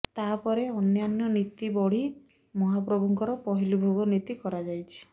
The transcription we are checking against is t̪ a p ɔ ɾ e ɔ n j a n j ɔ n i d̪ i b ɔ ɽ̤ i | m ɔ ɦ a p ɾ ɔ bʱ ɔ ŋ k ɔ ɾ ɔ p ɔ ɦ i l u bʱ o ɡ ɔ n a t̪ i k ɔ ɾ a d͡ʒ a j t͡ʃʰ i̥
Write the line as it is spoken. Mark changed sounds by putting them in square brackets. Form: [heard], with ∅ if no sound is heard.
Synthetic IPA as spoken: t̪ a p ɔ ɾ e ɔ n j a n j ɔ n i [t̪] i b ɔ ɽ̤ i | m ɔ ɦ a p ɾ ɔ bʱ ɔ ŋ k ɔ ɾ ɔ p ɔ ɦ i l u bʱ o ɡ ɔ n [i] t̪ i k ɔ ɾ a d͡ʒ a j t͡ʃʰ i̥